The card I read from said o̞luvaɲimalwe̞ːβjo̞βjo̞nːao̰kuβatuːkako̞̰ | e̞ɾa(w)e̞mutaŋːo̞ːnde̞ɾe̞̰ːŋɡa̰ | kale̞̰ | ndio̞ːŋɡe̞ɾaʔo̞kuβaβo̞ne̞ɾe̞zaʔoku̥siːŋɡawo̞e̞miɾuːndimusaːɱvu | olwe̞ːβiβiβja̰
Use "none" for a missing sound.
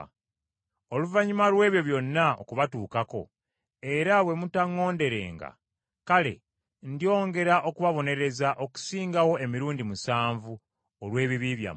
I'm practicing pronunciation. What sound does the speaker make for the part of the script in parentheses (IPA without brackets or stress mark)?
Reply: w